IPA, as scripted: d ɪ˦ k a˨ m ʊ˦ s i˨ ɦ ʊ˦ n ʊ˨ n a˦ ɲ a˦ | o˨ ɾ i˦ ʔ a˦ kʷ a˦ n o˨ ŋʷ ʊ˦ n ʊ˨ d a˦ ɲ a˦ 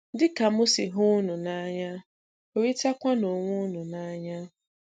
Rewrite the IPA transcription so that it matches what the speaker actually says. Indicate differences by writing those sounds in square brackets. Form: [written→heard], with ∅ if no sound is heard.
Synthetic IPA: d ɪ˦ k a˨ m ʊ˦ s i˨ ɦ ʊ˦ n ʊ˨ n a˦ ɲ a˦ | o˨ ɾ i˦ [ʔ→t] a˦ kʷ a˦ n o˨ ŋʷ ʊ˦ n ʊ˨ [d→n] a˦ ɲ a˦